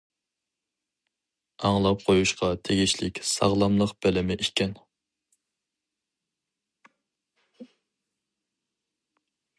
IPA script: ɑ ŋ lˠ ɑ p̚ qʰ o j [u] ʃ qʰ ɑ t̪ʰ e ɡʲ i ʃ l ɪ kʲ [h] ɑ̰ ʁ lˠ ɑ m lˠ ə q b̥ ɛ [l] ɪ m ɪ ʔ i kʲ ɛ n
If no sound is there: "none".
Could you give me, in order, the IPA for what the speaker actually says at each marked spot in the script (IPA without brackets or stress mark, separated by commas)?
u, s, l